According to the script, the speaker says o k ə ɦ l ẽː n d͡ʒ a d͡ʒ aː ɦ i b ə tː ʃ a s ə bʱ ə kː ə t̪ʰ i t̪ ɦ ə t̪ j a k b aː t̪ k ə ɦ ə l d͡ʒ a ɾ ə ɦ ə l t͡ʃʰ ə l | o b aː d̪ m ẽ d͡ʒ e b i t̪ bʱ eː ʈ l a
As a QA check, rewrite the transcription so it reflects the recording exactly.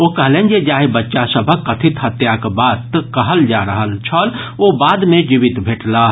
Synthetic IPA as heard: o k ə ɦ l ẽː n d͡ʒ e d͡ʒ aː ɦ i b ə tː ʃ a s ə bʱ ə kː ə t̪ʰ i t̪ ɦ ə t̪ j a k b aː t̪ k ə ɦ ə l d͡ʒ a ɾ ə ɦ ə l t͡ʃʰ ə l | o b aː d̪ m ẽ d͡ʒ i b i t̪ bʱ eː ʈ l a